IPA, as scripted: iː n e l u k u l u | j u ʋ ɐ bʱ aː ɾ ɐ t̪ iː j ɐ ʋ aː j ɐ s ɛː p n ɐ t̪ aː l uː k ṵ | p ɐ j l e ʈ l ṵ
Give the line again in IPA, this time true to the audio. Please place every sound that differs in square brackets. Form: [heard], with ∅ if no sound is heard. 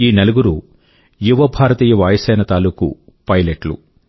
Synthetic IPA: iː n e l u [ɡ] u [ɾ] u | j u ʋ ɐ bʱ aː ɾ ɐ t̪ iː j ɐ ʋ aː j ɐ s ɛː [∅] n ɐ t̪ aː l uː k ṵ | p ɐ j l e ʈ l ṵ